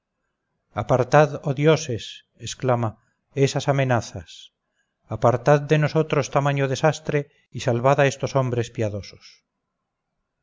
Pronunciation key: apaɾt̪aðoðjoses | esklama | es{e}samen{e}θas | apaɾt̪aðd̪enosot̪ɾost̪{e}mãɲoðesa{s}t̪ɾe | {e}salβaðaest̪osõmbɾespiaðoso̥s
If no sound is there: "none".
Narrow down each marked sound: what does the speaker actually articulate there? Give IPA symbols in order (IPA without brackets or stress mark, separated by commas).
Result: a, a, a, s, i